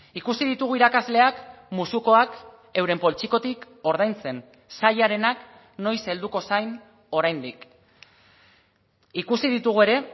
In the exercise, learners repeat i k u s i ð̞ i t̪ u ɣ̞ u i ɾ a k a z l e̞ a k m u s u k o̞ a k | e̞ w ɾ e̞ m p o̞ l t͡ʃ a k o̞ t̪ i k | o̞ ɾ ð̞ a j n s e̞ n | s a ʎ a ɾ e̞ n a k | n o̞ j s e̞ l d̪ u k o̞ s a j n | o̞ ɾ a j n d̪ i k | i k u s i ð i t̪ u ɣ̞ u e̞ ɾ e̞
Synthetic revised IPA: i k u s i ð̞ i t̪ u ɣ̞ u i ɾ a k a z l e̞ a k m u s u k o̞ a k | e̞ w ɾ e̞ m p o̞ l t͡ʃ i k o̞ t̪ i k | o̞ ɾ ð̞ a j n t͡s e̞ n | s a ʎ a ɾ e̞ n a k | n o̞ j s e̞ l d̪ u k o̞ s a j n | o̞ ɾ a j n d̪ i k | i k u s i ð i t̪ u ɣ̞ u e̞ ɾ e̞